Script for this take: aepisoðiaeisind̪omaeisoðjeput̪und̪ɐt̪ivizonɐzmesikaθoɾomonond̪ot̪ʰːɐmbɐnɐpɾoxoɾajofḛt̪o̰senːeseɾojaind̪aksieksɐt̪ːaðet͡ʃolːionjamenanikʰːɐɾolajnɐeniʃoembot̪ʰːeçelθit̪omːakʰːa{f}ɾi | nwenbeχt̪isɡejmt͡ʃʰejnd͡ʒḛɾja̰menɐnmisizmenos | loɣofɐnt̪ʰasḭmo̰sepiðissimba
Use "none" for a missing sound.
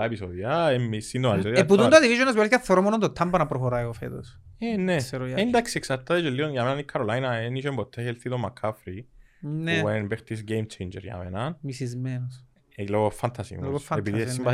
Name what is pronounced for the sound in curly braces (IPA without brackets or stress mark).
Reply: f